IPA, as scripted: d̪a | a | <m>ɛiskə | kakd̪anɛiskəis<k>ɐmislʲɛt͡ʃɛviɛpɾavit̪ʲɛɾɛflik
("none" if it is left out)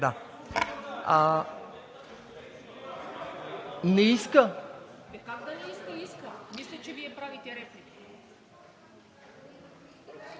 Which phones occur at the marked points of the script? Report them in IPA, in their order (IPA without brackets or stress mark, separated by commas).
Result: n, k